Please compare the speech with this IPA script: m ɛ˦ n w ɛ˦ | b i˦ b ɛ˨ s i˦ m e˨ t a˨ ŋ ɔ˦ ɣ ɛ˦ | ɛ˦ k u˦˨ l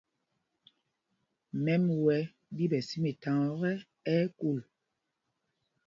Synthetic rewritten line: m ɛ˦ m w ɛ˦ | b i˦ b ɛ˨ s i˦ m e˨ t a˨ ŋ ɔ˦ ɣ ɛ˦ | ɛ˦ k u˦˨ l